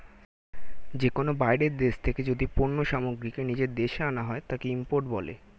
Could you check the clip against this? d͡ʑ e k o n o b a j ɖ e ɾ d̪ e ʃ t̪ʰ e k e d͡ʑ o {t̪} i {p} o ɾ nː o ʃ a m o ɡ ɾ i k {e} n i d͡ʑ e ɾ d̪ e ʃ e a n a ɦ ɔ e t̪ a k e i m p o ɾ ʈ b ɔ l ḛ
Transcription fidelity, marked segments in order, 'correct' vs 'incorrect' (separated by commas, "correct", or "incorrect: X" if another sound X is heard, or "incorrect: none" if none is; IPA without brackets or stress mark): incorrect: d̪, correct, correct